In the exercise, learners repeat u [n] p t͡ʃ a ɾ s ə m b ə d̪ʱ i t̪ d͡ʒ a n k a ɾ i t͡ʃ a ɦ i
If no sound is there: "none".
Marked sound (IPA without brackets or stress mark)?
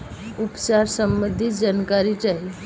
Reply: none